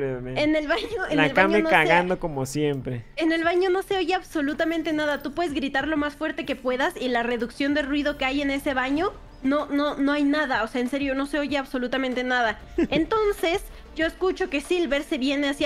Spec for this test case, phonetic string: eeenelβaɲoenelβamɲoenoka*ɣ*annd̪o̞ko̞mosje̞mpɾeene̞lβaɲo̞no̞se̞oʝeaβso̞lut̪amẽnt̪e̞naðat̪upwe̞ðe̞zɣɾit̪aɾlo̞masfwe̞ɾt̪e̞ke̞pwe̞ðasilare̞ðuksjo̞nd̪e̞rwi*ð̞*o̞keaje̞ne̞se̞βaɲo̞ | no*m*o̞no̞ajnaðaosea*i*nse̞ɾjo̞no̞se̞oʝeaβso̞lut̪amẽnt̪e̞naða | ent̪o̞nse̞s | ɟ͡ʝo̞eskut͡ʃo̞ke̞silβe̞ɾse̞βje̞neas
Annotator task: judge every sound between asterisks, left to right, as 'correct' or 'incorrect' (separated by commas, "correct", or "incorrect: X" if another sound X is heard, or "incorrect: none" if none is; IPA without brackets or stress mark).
correct, correct, incorrect: n, incorrect: e